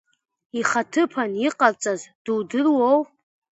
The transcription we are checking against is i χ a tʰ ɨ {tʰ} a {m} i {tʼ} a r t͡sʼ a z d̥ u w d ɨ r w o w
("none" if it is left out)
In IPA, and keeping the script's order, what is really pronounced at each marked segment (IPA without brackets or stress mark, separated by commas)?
pʰ, n, qʼ